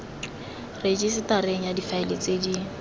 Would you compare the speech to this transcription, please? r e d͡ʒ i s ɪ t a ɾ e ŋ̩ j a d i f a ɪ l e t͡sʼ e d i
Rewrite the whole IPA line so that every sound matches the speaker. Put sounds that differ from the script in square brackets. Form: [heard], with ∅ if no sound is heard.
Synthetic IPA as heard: r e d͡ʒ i s ɪ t a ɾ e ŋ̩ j a d i f a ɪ l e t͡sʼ e d i